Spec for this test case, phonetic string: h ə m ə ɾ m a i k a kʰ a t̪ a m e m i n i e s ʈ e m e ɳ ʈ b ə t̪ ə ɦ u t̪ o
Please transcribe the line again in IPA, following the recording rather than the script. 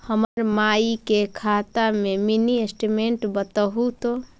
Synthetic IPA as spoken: h ə m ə ɾ m a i k e kʰ a t̪ a m e m i n i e s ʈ i m e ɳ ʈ b ə t̪ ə ɦ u t̪ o